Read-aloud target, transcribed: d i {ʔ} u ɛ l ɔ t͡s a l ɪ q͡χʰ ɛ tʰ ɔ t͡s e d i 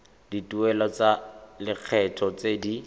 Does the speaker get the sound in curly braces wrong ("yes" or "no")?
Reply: yes